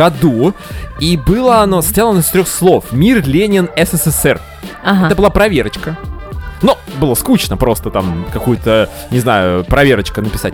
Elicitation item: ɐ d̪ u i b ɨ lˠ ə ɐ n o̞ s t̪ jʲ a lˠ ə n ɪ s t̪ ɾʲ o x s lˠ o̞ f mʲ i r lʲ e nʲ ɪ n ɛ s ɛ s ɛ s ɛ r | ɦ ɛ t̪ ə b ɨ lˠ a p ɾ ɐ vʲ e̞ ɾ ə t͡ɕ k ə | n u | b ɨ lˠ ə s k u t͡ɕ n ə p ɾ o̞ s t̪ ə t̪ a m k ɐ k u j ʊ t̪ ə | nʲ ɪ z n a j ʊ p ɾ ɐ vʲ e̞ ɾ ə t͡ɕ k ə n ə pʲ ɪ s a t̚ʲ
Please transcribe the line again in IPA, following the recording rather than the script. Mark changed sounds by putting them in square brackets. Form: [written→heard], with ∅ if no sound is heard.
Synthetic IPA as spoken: ɐ d̪ u i b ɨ lˠ ə ɐ n o̞ s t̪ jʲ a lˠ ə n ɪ s t̪ ɾʲ o x s lˠ o̞ f mʲ i r lʲ e nʲ ɪ n ɛ s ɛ s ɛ s ɛ r | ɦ ɛ t̪ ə b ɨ lˠ a p ɾ ɐ vʲ e̞ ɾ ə t͡ɕ k ə | n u | b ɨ lˠ ə s k u t͡ɕ n ə p ɾ o̞ s t̪ ə t̪ a m k ɐ k u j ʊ t̪ ə | nʲ ɪ z n a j ʊ p ɾ ɐ vʲ e̞ ɾ ə t͡ɕ k ə n ə pʲ ɪ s a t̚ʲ